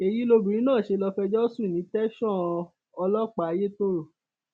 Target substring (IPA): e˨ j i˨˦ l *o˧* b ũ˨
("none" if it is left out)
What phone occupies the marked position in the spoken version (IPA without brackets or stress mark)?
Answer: o˧